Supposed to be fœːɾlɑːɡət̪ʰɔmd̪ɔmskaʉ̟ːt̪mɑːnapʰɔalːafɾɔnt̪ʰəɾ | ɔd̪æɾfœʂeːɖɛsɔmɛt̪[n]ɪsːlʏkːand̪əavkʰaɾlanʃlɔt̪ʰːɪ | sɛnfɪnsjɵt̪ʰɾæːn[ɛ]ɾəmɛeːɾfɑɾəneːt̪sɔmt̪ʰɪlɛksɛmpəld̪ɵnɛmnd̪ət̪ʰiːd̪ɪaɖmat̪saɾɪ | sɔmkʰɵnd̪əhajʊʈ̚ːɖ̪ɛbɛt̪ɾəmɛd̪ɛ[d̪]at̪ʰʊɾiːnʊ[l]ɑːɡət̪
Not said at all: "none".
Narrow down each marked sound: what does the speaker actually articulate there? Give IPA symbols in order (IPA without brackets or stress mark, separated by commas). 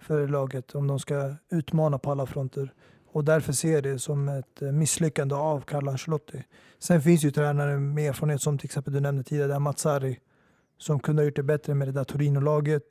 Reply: m, a, d̪, l